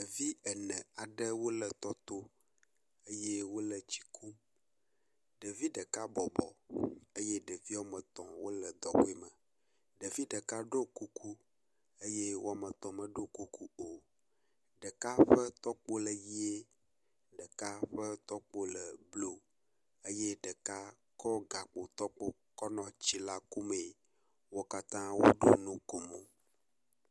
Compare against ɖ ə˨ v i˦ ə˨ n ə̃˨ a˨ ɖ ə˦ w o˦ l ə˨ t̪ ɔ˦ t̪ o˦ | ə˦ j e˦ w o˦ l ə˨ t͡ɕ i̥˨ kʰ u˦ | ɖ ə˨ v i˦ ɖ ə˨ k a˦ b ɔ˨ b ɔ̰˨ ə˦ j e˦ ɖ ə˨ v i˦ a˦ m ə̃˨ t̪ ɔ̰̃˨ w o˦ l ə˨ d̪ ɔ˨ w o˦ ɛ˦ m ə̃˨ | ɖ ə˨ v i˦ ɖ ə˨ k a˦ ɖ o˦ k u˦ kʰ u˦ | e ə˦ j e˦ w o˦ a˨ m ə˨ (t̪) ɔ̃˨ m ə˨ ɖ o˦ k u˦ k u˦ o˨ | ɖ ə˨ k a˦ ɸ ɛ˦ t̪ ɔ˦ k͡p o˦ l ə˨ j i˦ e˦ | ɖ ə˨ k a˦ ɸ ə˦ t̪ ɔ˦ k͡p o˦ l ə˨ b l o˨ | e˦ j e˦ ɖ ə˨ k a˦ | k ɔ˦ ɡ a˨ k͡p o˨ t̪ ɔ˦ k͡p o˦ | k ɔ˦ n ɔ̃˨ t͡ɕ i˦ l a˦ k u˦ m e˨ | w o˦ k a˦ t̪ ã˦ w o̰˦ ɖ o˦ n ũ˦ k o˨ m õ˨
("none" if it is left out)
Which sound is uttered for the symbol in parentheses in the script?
t̪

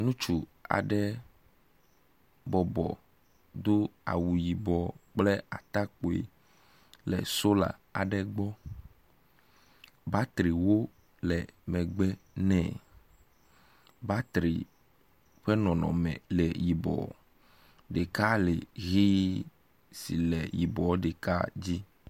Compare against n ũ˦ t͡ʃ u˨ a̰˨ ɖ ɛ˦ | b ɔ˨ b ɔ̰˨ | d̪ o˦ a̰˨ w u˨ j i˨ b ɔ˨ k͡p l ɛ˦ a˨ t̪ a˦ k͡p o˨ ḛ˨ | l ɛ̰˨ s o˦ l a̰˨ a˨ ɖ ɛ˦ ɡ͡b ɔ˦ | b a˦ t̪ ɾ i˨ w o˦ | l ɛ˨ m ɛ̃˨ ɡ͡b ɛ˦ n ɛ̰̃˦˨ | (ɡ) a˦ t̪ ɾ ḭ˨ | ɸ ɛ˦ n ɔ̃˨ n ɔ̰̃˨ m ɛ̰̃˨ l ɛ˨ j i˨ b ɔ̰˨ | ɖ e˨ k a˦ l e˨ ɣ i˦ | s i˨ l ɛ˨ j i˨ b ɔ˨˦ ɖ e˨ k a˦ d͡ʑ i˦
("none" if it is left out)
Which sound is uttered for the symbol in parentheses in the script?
b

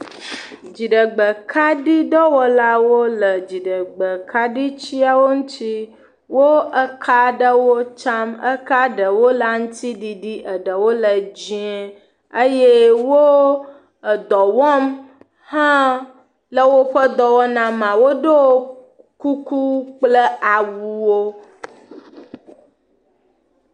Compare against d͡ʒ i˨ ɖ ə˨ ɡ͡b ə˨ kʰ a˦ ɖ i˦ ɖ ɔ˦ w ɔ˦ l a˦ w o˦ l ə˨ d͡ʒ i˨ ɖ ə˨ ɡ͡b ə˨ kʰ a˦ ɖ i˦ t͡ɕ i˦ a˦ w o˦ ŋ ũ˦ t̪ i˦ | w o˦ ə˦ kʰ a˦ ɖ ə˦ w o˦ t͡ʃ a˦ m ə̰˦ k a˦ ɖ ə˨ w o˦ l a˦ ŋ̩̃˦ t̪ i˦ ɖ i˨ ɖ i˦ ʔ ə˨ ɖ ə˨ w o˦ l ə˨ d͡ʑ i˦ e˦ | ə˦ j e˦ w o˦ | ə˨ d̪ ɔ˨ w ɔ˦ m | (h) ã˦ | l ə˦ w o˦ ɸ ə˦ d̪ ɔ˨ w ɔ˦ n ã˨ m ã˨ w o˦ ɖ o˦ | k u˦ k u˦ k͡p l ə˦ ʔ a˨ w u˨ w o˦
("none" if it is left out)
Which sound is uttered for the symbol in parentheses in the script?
h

